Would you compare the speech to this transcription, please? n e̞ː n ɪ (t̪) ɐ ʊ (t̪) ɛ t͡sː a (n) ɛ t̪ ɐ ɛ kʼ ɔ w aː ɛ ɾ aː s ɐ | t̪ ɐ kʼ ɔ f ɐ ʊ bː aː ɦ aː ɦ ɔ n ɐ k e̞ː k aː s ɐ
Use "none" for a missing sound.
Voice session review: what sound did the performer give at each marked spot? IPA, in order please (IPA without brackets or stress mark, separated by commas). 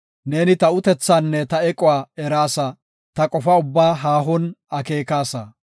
t̪, t̪, nː